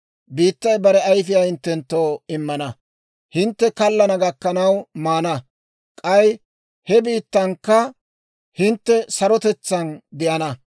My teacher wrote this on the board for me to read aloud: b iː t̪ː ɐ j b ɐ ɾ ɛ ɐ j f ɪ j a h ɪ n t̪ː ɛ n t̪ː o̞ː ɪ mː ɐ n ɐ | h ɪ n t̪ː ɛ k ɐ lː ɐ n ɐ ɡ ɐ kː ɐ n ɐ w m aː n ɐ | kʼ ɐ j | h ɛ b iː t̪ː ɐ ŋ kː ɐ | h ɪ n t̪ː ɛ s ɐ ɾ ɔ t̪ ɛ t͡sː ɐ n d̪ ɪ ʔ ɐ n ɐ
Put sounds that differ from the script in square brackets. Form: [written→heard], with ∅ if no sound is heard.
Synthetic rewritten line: b iː t̪ː ɐ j b ɐ ɾ ɛ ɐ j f ɪ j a h ɪ n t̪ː ɛ n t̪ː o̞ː ɪ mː ɐ n ɐ | h ɪ n t̪ː ɛ k ɐ lː ɐ n ɐ ɡ ɐ kː ɐ n ɐ w m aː n ɐ | kʼ ɐ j | h ɛ b iː t̪ː ɐ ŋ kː ɐ | h ɪ n t̪ː ɛ s ɐ ɾ ɔ t̪ ɛ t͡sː ɐ n d̪ ɪ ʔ ɐ n ɐ

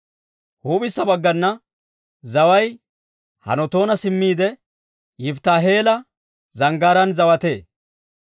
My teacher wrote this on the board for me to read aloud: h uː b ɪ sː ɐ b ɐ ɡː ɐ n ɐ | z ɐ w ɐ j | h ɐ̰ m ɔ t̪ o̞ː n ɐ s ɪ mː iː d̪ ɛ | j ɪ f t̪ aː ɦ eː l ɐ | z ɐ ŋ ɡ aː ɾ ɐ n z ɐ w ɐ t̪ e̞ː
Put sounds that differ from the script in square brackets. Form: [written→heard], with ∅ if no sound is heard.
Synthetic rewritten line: h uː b ɪ sː ɐ b ɐ ɡː ɐ [n→nː] ɐ | z ɐ w ɐ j | h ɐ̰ [m→n] ɔ t̪ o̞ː n ɐ s ɪ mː iː d̪ ɛ | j ɪ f t̪ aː ɦ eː l ɐ | z ɐ ŋ ɡ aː ɾ ɐ n z ɐ w ɐ t̪ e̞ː

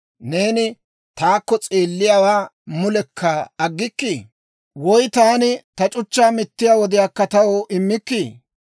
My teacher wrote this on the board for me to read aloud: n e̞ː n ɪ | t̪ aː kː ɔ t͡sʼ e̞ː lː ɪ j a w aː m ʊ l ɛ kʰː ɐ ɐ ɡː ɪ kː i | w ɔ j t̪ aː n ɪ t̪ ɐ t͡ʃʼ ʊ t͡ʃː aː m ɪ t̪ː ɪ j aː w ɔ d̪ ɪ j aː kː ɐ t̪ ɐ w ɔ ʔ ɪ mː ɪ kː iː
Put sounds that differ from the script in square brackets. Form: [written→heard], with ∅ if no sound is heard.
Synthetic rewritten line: n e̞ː n ɪ | t̪ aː kː ɔ t͡sʼ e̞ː lː ɪ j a w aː m ʊ l ɛ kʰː ɐ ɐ ɡː ɪ kː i | w ɔ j t̪ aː n ɪ t̪ ɐ t͡ʃʼ ʊ t͡ʃː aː m ɪ t̪ː ɪ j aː w ɔ d̪ ɪ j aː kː ɐ t̪ ɐ w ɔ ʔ ɪ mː ɪ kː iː

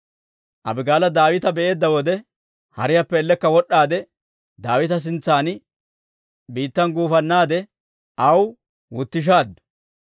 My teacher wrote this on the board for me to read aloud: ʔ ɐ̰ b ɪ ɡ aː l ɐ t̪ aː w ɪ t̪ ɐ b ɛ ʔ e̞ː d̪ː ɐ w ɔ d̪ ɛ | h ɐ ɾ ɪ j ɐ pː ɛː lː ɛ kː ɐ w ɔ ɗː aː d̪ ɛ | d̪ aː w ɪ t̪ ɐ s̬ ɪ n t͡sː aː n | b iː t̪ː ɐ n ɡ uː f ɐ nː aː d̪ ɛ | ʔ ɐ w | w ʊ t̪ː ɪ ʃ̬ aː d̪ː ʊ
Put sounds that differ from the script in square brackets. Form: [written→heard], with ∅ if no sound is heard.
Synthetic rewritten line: ʔ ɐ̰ b ɪ ɡ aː l ɐ [t̪→d̪] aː w ɪ t̪ ɐ b ɛ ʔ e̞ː d̪ː ɐ w ɔ d̪ ɛ | h ɐ ɾ ɪ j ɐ pː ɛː lː ɛ kː ɐ w ɔ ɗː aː d̪ ɛ | d̪ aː w ɪ t̪ ɐ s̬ ɪ n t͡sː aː n | b iː t̪ː ɐ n ɡ uː f ɐ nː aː d̪ ɛ | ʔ ɐ w | w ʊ t̪ː ɪ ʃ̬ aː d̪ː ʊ

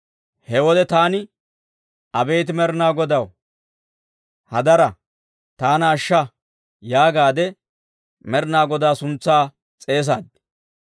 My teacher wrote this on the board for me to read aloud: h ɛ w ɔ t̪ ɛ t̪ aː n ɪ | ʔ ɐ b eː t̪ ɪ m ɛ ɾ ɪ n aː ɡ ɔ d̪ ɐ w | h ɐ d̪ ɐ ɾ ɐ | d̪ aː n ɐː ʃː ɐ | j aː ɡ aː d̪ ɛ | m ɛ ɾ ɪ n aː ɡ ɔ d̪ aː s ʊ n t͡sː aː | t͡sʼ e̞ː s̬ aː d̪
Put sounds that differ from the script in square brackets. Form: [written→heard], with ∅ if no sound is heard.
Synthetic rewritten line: h ɛ w ɔ [t̪→d̪] ɛ t̪ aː n ɪ | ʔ ɐ b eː t̪ ɪ m ɛ ɾ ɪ n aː ɡ ɔ d̪ ɐ w | h ɐ d̪ ɐ ɾ ɐ | [d̪→t̪] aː n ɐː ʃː ɐ | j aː ɡ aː d̪ ɛ | m ɛ ɾ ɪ n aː ɡ ɔ d̪ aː s ʊ n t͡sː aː | t͡sʼ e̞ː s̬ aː d̪

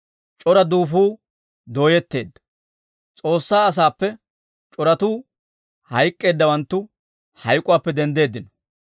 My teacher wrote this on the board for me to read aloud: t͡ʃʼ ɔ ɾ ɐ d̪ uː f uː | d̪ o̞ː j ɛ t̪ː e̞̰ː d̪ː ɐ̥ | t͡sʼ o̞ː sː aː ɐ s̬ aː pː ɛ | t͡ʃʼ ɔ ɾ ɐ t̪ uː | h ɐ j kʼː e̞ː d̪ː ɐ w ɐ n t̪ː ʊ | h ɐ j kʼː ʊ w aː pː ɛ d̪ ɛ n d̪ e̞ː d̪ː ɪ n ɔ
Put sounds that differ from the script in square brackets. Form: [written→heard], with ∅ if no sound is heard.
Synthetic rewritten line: t͡ʃʼ ɔ ɾ ɐ d̪ uː f uː | d̪ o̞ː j ɛ t̪ː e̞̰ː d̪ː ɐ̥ | t͡sʼ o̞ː sː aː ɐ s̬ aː pː ɛ | t͡ʃʼ ɔ ɾ ɐ t̪ uː | h ɐ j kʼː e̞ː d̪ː ɐ w ɐ n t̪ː ʊ | h ɐ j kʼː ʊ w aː pː ɛ d̪ ɛ n d̪ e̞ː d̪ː ɪ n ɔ

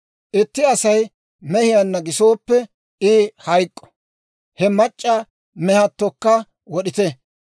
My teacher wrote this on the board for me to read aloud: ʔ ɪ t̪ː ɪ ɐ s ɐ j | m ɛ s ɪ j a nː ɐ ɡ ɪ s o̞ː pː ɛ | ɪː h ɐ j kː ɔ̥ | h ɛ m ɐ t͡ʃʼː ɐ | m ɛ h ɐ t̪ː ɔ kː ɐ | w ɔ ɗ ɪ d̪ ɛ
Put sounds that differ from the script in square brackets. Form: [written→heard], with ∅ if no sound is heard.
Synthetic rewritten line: ʔ ɪ t̪ː ɪ ɐ s ɐ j | m ɛ [s→h] ɪ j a nː ɐ ɡ ɪ s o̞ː pː ɛ | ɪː h ɐ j [kː→kʼː] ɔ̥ | h ɛ m ɐ t͡ʃʼː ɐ | m ɛ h ɐ t̪ː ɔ kː ɐ | w ɔ ɗ ɪ [d̪→t̪] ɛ

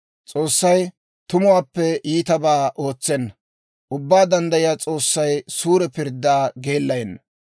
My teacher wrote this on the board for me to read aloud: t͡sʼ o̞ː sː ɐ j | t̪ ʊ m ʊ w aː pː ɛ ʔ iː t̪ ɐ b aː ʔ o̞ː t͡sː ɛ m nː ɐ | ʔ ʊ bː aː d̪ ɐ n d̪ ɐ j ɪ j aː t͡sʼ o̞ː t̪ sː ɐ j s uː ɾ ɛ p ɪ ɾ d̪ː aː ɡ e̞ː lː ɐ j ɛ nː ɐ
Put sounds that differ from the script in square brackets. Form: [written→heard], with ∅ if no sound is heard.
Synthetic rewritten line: t͡sʼ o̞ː sː ɐ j | t̪ ʊ m ʊ w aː pː ɛ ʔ iː t̪ ɐ b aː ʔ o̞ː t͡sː ɛ [m→∅] nː ɐ | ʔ ʊ bː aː d̪ ɐ n d̪ ɐ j ɪ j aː t͡sʼ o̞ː [t̪→∅] sː ɐ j s uː ɾ ɛ p ɪ ɾ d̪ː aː ɡ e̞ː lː ɐ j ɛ nː ɐ

